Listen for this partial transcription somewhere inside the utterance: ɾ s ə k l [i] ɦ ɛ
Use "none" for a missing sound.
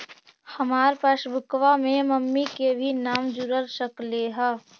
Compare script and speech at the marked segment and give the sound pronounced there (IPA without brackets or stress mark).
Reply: e